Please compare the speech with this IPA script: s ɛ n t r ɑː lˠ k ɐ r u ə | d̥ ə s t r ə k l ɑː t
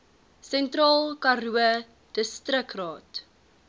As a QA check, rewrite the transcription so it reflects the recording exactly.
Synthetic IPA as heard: s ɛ n t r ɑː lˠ k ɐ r u ə | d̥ ə s t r ə k r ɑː t

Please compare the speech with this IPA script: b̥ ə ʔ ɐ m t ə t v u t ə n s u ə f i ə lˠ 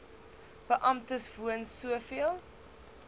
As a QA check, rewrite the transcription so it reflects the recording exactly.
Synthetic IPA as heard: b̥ ə ʔ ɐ m t ə s v u ə n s u ə f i ə lˠ

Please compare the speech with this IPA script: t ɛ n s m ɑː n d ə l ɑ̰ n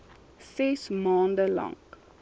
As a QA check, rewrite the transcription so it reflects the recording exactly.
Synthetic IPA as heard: s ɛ s m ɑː n d ə l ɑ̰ ŋ

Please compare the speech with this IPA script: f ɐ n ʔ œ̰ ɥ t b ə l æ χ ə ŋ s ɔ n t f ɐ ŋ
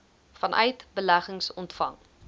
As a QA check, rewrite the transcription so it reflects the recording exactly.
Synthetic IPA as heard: f ɐ n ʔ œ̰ ɥ t b ə l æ χ ə ŋ s ɔ n t f ɐ ŋ

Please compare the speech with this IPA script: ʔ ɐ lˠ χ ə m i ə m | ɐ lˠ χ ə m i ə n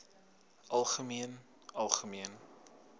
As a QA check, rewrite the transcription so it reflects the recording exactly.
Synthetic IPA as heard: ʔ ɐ lˠ χ ə m i ə n | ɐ lˠ χ ə m i ə n

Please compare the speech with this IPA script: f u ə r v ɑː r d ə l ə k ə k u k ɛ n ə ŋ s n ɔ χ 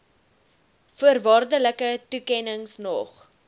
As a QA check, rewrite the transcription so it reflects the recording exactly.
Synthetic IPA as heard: f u ə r v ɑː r d ə l ə k ə t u k ɛ n ə ŋ s n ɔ χ

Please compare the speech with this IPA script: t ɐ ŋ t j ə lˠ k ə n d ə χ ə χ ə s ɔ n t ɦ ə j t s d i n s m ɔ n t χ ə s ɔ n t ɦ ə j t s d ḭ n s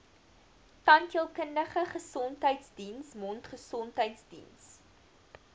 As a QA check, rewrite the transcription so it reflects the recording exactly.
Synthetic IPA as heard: t ɐ n t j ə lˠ k ə n d ə χ ə χ ə s ɔ n t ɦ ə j t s d i n s m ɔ n t χ ə s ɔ n t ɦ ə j t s d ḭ n s

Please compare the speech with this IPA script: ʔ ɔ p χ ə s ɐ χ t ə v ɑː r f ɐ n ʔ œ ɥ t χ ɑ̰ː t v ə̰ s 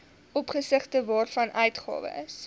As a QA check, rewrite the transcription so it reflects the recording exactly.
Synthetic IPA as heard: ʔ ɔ p χ ə s ə χ t ə v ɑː r f ɐ n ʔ œ ɥ t χ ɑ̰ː v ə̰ s

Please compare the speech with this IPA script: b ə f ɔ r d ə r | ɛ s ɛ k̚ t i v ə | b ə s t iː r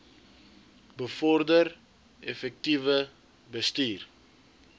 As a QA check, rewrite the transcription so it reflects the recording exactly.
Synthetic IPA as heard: b ə f ɔ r d ə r | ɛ f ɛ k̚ t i v ə | b ə s t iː r

